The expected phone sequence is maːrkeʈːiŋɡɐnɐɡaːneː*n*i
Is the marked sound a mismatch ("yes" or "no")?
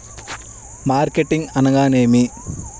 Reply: yes